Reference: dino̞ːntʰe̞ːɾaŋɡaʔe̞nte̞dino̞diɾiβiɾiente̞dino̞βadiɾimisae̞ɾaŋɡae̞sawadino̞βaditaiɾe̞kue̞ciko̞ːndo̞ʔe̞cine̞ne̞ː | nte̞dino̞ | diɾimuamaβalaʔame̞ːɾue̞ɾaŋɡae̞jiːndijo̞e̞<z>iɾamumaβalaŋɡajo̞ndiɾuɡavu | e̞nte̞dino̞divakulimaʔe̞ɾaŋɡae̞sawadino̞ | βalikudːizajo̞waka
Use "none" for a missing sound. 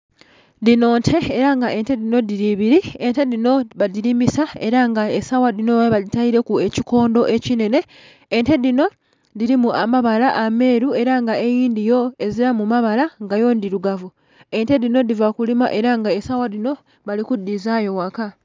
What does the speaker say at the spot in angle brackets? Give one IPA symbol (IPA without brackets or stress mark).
z